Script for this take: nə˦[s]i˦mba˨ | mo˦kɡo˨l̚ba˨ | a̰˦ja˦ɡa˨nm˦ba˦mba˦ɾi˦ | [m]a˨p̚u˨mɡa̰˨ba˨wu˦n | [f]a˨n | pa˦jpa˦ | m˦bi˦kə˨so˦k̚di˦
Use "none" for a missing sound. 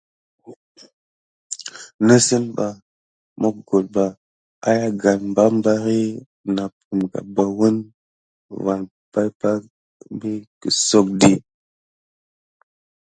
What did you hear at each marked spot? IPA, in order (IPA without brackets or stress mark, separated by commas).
s, n, v